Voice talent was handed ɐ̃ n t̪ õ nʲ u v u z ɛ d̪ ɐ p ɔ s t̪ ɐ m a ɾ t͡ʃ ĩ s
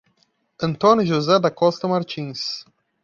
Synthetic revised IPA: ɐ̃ n t̪ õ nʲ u ʒ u z ɛ d̪ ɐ k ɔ s t̪ ɐ m a ɾ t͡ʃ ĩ s